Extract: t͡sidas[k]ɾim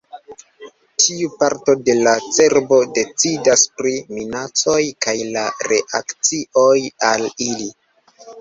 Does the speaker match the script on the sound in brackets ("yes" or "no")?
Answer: no